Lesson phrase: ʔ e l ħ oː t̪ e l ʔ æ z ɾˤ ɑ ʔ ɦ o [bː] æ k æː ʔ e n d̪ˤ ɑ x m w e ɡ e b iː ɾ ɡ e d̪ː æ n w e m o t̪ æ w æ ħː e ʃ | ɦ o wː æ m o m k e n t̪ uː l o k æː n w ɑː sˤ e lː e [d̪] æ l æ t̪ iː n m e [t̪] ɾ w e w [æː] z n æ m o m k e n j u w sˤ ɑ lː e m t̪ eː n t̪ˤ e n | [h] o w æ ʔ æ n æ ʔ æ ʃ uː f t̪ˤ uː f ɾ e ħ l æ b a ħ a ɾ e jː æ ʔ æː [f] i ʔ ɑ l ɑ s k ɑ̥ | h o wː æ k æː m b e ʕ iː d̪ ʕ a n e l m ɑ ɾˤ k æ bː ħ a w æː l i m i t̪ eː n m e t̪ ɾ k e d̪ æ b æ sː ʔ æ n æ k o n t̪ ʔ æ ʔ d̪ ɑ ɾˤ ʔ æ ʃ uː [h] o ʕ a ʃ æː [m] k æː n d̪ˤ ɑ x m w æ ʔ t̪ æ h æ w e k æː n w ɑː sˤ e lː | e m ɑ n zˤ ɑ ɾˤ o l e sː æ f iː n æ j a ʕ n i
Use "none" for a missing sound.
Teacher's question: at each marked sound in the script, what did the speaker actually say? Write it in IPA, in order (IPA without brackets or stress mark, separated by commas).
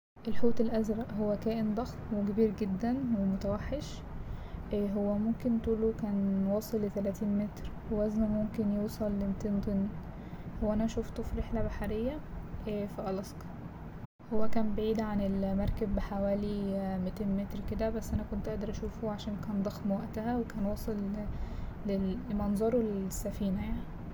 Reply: wː, t̪, t̪, æ, h, f, f, n